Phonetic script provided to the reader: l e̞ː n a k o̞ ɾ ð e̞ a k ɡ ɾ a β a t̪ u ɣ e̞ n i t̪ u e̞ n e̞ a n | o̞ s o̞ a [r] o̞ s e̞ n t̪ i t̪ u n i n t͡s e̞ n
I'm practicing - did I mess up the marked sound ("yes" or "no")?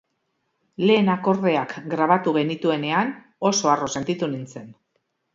no